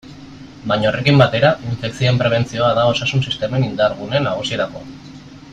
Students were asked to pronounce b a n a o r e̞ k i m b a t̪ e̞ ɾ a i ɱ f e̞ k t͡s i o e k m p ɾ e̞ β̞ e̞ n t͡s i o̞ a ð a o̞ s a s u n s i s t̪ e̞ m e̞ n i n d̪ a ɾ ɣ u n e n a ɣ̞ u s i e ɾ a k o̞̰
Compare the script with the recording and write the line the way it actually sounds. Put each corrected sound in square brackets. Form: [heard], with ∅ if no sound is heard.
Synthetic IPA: b a [ɲ] a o r e̞ k i m b a t̪ e̞ ɾ a i ɱ f e̞ k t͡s i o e [∅] m p ɾ e̞ β̞ e̞ n t͡s i o̞ a ð a o̞ s a s u n s i s t̪ e̞ m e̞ n i n d̪ a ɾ ɣ u n e n a ɣ̞ u s i e ɾ a k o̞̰